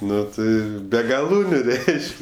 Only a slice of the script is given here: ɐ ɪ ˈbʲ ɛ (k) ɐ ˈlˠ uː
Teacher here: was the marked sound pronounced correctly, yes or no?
no